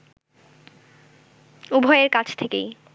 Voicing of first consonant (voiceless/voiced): voiced